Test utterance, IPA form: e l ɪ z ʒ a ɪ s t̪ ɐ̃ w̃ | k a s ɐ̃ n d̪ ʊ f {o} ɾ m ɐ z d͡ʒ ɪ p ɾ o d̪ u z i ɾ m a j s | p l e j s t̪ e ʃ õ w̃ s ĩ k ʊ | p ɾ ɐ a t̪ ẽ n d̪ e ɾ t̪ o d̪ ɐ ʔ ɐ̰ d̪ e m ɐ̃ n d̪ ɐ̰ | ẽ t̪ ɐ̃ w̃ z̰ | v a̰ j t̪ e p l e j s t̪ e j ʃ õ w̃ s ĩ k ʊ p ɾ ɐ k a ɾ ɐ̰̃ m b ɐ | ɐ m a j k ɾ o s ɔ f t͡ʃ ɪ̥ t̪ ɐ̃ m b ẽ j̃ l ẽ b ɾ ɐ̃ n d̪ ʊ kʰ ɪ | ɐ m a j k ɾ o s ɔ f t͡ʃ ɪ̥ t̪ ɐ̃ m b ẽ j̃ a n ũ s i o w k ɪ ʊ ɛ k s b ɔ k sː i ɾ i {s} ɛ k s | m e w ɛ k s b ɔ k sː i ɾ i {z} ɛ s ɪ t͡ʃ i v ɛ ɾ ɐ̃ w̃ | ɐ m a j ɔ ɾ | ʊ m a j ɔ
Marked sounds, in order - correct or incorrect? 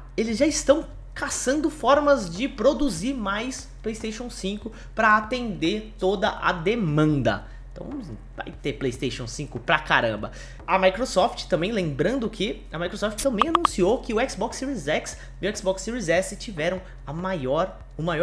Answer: incorrect: ɔ, incorrect: z, correct

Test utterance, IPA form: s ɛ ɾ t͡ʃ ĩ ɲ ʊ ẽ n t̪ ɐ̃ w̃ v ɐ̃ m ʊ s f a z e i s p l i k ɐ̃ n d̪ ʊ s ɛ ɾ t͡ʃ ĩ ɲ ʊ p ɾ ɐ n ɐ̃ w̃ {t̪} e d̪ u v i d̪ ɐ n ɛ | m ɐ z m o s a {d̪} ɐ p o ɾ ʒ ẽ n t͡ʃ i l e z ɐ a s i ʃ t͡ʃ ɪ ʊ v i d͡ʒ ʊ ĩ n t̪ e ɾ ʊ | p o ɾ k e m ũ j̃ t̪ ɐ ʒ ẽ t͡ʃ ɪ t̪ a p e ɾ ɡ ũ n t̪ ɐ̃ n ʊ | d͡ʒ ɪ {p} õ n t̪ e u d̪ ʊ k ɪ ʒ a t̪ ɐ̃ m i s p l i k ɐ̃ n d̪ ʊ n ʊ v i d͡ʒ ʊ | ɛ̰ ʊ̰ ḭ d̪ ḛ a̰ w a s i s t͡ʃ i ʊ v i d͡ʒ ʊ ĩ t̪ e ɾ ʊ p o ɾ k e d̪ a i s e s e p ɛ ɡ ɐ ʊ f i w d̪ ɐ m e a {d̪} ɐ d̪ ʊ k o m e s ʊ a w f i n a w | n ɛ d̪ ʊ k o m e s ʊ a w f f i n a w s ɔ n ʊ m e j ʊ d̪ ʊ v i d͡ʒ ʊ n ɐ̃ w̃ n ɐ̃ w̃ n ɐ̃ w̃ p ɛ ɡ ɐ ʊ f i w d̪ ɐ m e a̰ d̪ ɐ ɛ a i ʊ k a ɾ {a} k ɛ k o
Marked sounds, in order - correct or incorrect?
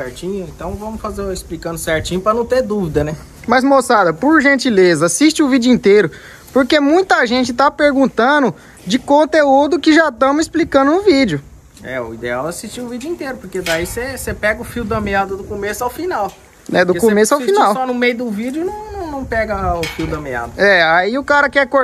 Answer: correct, correct, incorrect: k, correct, incorrect: ɐ

